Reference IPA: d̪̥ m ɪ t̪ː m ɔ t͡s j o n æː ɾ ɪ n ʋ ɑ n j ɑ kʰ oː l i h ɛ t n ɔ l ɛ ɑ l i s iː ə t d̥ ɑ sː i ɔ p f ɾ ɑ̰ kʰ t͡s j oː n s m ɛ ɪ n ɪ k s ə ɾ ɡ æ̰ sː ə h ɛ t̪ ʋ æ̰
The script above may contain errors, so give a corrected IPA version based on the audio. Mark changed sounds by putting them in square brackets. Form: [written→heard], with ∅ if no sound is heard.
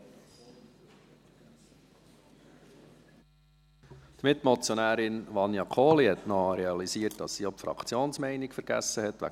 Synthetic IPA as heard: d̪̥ m ɪ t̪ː m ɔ t͡s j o n æː ɾ ɪ n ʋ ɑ n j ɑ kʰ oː l i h ɛ t n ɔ [l→ɾ] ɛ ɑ l i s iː ə t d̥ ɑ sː i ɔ p f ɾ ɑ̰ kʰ t͡s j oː n s m ɛ ɪ n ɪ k [s→f] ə ɾ ɡ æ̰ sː ə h ɛ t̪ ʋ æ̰